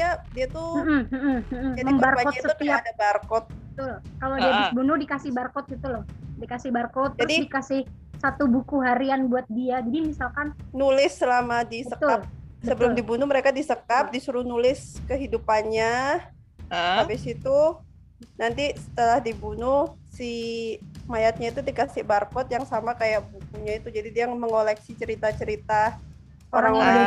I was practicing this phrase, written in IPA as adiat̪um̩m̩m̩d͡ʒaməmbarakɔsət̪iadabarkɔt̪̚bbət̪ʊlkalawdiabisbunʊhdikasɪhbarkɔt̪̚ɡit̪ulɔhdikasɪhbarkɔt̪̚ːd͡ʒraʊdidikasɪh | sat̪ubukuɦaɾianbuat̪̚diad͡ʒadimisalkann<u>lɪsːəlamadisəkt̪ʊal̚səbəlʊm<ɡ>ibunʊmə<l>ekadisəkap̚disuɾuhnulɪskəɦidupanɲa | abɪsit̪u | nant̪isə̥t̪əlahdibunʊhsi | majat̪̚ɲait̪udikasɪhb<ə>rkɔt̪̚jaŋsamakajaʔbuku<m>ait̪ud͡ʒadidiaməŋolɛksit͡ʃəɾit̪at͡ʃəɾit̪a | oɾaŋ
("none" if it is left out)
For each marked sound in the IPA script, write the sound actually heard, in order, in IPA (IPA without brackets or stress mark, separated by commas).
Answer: u, d, ɾ, a, ɲ